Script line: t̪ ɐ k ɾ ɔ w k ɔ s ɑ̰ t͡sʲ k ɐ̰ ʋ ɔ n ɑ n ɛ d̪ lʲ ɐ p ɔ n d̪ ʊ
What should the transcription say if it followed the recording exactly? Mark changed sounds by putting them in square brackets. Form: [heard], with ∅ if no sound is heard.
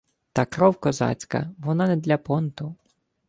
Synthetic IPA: t̪ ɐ k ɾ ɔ w k ɔ [z] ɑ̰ t͡sʲ k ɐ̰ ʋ ɔ n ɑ n ɛ d̪ lʲ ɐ p ɔ n [t̪] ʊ